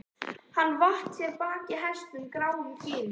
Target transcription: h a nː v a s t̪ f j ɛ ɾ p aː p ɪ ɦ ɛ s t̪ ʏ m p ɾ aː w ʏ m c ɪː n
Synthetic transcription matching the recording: h a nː v a h t̪ s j ɛ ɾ p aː c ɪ ɦ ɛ s t̪ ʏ m k ɾ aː w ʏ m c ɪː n